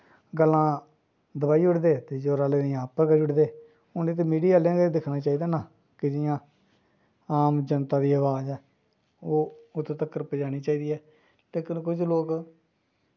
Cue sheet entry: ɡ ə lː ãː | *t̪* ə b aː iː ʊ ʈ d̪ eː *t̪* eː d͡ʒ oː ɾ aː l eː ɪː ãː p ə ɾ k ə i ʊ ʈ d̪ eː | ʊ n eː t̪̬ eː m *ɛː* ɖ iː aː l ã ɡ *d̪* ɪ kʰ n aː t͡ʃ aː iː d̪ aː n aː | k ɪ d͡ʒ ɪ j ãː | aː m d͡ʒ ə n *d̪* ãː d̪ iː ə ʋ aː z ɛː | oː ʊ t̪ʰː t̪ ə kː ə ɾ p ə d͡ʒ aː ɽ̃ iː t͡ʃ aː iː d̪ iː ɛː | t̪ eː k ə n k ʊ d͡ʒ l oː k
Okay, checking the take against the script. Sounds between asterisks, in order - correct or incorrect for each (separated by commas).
incorrect, correct, incorrect, correct, incorrect